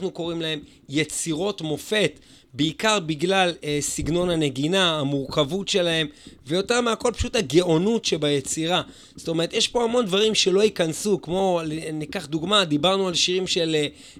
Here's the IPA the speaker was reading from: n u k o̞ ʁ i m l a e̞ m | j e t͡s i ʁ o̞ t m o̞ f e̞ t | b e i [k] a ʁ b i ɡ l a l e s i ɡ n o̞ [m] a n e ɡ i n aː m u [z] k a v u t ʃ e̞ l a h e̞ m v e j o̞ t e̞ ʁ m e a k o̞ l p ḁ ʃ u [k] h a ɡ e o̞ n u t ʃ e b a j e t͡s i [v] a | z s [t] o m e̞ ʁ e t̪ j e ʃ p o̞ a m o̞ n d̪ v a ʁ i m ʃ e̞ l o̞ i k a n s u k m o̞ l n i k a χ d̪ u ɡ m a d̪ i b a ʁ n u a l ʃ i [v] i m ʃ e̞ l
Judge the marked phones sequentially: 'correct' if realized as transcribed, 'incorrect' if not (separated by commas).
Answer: correct, incorrect, incorrect, incorrect, incorrect, correct, incorrect